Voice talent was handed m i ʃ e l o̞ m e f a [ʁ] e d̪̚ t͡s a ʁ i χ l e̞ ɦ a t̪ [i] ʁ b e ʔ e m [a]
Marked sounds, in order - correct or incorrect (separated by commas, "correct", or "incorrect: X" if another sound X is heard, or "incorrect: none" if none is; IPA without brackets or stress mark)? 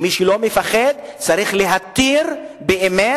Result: incorrect: χ, correct, incorrect: e